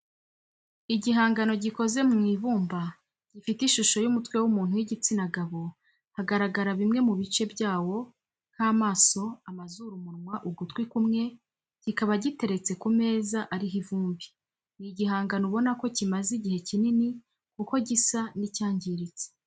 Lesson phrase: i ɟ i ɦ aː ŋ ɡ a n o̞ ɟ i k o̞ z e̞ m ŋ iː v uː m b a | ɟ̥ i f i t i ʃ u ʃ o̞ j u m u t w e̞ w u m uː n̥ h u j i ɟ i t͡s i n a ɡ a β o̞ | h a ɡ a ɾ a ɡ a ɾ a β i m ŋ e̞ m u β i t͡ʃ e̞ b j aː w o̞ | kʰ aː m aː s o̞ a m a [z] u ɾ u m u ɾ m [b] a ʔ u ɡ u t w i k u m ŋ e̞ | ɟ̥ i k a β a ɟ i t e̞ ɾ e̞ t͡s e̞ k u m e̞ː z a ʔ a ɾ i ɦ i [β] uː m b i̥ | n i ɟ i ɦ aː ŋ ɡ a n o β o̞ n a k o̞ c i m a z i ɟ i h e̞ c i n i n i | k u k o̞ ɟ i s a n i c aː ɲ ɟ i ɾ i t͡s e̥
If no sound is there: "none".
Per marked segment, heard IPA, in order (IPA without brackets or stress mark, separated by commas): z, w, v